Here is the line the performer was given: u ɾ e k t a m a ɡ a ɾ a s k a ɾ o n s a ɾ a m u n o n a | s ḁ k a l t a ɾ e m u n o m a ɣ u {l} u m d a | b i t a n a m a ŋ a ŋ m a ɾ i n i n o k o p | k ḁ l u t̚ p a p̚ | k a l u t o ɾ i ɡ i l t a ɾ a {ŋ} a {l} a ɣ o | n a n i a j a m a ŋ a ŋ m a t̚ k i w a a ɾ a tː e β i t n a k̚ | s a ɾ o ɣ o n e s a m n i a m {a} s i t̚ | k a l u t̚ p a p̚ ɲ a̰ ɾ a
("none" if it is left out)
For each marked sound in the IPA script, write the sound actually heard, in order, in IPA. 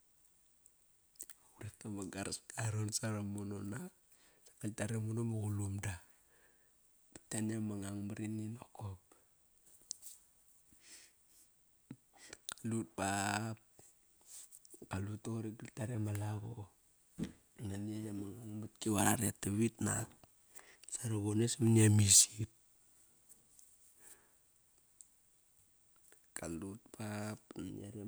l, m, l, i

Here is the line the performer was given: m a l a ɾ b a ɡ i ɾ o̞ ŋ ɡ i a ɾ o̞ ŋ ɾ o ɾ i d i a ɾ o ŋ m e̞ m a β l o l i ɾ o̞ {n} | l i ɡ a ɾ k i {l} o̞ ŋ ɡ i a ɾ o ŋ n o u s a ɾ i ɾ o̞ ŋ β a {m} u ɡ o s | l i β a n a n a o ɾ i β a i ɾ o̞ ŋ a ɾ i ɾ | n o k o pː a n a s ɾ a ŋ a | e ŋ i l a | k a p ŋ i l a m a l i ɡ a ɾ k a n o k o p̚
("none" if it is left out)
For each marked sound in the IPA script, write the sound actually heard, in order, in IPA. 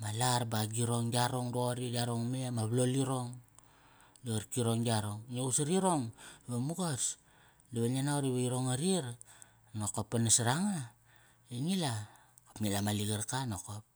ŋ, ɾ, m

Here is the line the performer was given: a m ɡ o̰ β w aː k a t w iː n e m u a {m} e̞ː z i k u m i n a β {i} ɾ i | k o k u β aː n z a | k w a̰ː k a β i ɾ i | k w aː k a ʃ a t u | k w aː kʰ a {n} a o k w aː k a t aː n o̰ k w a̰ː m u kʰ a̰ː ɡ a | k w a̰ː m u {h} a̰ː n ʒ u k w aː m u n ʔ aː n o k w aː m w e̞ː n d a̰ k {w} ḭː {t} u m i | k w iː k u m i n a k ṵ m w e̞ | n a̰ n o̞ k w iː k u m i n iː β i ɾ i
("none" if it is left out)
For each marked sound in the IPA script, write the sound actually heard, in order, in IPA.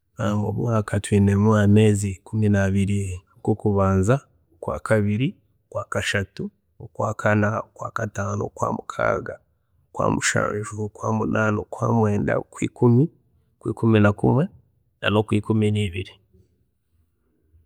m, i, n, ʃ, w, k

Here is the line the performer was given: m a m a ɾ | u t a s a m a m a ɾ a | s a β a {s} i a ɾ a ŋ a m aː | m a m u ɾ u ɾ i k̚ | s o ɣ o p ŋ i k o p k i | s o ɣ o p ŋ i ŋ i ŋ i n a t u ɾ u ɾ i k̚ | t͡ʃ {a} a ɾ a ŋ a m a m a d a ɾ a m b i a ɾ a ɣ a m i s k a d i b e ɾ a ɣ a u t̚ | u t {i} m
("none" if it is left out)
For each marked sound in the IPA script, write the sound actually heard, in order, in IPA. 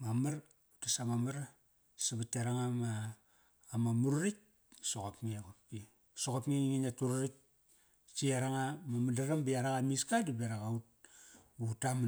t, i, a

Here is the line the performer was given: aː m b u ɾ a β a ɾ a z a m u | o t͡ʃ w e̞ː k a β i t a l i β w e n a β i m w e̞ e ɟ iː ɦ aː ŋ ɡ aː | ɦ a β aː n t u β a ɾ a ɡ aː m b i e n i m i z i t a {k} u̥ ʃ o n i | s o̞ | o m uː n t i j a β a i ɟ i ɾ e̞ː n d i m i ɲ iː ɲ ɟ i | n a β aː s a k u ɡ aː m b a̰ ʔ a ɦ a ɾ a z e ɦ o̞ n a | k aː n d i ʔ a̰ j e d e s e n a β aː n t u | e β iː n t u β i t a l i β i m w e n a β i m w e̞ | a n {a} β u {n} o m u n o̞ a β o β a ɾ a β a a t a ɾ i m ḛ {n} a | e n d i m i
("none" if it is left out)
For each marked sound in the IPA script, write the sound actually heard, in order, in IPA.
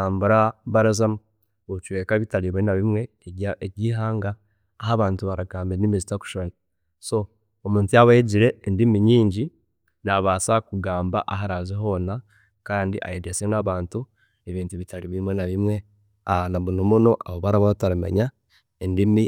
k, a, n, ɲ

